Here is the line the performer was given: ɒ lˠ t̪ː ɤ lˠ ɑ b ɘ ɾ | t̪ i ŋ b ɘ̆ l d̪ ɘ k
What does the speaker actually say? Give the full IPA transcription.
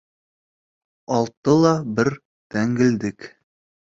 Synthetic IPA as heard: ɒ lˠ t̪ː ɤ lˠ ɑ b ɘ ɾ | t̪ æ ŋ ɡ ɘ̆ l d̪ ɘ k